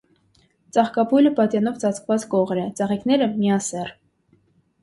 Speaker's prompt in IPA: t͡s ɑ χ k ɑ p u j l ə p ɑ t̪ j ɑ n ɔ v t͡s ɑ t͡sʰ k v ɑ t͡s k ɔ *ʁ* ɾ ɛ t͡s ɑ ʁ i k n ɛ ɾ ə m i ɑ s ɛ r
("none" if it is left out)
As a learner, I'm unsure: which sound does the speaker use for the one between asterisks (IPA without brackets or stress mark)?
ʁ